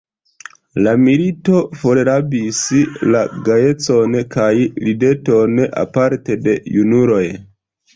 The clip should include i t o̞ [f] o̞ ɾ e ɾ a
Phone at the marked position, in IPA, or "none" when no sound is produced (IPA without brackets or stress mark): f